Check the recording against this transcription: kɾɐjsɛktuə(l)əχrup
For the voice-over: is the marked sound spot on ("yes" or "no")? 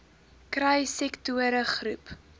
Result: no